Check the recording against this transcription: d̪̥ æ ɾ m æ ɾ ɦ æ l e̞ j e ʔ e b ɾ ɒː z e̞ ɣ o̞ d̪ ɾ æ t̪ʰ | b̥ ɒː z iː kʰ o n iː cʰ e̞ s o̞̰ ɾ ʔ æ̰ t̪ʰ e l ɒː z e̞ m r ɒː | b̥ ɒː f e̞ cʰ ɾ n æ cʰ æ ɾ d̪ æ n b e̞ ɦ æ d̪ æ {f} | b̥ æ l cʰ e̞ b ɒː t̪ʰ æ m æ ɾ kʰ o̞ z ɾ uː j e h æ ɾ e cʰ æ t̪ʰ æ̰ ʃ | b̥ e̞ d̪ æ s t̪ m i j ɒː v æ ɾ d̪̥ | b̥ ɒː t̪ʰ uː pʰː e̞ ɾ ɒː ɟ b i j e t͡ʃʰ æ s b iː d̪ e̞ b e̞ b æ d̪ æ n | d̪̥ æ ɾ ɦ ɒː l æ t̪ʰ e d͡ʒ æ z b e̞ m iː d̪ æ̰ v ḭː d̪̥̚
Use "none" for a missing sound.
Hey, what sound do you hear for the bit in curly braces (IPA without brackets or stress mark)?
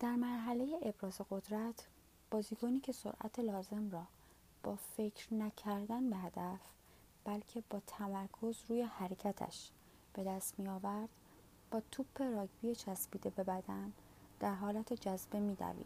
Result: f